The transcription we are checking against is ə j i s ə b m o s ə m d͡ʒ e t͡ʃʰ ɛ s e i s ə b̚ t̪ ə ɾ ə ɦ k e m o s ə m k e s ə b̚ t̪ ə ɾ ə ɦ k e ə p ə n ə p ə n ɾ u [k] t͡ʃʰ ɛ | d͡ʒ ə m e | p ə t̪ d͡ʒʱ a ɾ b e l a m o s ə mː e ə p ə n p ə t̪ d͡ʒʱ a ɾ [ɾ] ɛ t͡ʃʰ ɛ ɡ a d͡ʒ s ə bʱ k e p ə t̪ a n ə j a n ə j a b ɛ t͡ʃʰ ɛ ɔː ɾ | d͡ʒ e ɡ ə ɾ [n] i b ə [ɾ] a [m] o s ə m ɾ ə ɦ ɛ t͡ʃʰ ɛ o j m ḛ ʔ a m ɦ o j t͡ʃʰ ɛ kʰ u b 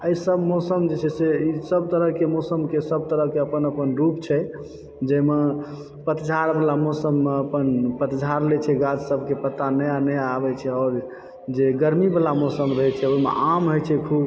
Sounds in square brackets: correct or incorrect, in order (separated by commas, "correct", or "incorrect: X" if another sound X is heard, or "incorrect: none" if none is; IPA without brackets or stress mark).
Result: incorrect: p, incorrect: l, incorrect: m, incorrect: l, correct